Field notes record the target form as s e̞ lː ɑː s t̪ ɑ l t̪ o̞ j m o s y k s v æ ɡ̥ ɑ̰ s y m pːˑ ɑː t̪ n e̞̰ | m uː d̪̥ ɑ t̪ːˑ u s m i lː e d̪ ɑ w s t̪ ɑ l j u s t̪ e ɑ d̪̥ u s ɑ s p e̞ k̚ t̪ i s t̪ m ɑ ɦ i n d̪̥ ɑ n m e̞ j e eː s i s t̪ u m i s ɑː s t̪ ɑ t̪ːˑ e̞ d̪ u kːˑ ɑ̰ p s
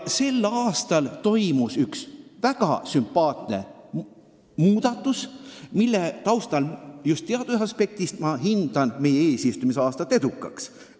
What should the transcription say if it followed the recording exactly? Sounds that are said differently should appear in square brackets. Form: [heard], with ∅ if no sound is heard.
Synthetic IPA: s e̞ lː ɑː s t̪ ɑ l t̪ o̞ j m [u] s y k s v æ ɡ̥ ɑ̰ s y m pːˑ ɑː t̪ n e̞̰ | m uː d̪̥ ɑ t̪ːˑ u s m i lː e [t̪] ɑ w s t̪ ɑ l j u s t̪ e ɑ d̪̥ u s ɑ s p e̞ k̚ t̪ i s t̪ m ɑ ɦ i n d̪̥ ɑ n m e̞ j e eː s i s t̪ u m i s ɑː s t̪ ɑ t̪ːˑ e̞ d̪ u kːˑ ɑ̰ [k] s